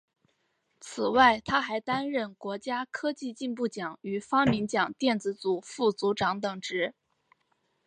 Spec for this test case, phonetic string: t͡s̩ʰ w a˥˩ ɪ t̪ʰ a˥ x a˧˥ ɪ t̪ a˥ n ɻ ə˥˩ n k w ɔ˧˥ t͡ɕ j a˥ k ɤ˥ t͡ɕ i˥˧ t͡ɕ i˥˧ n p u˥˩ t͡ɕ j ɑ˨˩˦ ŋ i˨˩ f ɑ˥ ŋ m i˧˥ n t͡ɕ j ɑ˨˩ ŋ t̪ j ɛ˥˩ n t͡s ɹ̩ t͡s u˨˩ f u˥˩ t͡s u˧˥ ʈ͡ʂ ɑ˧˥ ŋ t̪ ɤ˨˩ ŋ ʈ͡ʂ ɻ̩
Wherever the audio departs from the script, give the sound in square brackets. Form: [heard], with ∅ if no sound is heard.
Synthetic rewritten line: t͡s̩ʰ w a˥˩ ɪ t̪ʰ a˥ x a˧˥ ɪ t̪ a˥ n ɻ ə˥˩ n k w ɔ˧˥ t͡ɕ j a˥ [kʰ] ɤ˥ t͡ɕ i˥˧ t͡ɕ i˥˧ n p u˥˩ t͡ɕ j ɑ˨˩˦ ŋ [y˨˩] f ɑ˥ ŋ m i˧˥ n t͡ɕ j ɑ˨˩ ŋ t̪ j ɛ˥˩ n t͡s ɹ̩ t͡s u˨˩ f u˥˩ t͡s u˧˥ ʈ͡ʂ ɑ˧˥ ŋ t̪ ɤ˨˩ ŋ ʈ͡ʂ ɻ̩